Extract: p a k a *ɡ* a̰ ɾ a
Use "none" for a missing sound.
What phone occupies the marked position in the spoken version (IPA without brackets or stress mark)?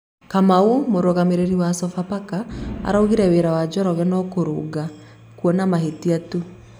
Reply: none